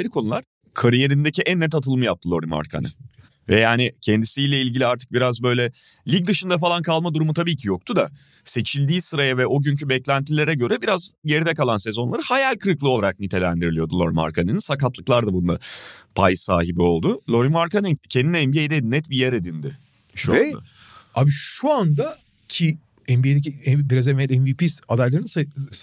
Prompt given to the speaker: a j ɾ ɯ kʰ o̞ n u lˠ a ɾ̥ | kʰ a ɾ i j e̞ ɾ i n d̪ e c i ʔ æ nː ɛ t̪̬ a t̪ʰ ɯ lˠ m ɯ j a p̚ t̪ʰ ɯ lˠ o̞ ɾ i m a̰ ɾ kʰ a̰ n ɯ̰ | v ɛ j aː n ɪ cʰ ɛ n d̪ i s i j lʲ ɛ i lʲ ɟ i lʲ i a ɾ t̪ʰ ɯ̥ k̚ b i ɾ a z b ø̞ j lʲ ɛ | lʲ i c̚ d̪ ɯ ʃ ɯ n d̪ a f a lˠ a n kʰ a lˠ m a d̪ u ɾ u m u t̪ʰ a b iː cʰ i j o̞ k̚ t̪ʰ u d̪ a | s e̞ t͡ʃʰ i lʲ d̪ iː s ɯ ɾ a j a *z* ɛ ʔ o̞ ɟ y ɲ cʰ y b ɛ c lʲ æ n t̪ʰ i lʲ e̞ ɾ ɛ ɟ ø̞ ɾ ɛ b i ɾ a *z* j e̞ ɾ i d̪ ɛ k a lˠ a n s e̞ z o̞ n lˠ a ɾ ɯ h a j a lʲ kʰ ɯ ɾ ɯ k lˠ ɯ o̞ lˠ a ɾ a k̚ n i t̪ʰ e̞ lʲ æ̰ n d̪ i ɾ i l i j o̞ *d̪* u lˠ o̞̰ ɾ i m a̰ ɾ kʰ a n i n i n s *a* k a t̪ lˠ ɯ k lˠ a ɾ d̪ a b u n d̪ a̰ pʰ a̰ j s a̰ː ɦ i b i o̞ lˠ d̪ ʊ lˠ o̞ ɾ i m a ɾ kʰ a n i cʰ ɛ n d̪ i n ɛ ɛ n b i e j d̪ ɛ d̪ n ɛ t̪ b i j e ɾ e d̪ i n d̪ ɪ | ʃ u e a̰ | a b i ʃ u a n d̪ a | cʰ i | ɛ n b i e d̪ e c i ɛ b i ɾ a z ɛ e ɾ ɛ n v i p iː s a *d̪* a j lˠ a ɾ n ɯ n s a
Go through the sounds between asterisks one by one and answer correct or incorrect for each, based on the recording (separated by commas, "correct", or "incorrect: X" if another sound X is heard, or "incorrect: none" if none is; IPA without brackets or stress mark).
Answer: incorrect: v, correct, correct, correct, correct